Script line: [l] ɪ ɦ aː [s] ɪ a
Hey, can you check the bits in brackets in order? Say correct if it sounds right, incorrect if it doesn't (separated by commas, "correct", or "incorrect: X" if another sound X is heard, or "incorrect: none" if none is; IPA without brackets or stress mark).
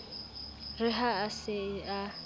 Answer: incorrect: r, correct